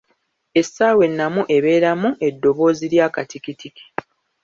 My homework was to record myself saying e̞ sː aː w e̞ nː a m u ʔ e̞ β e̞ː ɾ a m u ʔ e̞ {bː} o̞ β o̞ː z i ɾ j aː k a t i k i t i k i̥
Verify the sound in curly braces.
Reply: incorrect: dː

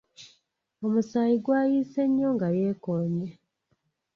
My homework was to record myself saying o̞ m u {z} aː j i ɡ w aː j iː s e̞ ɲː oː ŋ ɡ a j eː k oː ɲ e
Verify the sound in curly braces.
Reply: incorrect: s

